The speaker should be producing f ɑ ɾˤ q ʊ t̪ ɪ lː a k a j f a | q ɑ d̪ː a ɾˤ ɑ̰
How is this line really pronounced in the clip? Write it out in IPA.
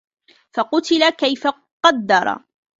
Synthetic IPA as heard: f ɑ q ʊ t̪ ɪ l a k a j f a | q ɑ d̪ː ɑ ɾˤ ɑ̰